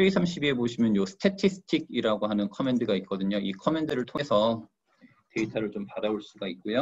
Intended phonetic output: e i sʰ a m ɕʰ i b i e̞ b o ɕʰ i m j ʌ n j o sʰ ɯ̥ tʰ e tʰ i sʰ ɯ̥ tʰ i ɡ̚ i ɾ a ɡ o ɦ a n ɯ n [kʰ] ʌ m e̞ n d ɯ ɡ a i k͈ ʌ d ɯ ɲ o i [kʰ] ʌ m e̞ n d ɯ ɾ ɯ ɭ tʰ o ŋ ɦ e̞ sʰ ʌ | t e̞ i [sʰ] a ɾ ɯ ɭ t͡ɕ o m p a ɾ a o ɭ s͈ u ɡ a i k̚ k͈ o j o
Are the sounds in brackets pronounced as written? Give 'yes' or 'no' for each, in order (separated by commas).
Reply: yes, yes, no